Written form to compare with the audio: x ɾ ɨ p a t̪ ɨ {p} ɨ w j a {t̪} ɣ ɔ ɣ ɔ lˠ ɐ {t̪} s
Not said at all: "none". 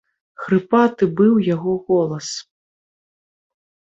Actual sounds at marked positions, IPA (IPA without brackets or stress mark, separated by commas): b, none, none